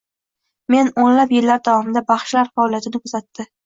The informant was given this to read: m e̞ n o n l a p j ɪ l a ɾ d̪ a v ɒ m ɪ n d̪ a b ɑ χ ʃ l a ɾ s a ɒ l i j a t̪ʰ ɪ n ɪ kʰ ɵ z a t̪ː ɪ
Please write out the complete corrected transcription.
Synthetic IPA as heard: m e̞ n o n l a p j ɪ lː a ɾ d̪ a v ɒ m ɪ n d̪ a b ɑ χ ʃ l a ɾ f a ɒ l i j a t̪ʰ ɪ n ɪ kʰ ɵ z a t̪ː ɪ